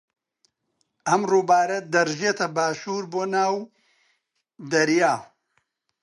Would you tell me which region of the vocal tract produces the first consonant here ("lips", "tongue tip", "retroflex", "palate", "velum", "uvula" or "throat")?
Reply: lips